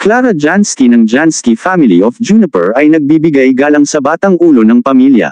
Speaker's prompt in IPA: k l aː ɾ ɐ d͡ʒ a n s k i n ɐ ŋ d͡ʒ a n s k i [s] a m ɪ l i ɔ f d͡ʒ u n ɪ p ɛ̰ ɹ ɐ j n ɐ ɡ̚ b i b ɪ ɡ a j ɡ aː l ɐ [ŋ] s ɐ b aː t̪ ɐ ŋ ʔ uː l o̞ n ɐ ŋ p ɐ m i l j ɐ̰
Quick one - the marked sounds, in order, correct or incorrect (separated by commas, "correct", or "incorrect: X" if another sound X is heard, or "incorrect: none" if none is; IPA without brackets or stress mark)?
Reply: incorrect: f, correct